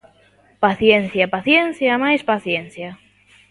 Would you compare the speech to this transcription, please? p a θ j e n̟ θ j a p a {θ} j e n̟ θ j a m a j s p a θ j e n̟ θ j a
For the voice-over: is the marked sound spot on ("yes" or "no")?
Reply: yes